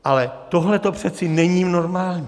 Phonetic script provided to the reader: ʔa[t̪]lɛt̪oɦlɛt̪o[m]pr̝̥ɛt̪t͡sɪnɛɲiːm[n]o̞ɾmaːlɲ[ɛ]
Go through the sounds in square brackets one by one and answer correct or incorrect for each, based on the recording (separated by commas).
incorrect, incorrect, correct, incorrect